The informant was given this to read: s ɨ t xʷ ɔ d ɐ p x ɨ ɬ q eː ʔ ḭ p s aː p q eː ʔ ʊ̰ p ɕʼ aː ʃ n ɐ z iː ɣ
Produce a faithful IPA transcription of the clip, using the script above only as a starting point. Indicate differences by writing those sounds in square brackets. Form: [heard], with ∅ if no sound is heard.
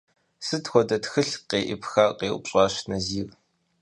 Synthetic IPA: s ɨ t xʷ ɔ d ɐ [t] x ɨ ɬ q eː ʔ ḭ p [x] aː [∅] q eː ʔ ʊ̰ p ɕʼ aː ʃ n ɐ z iː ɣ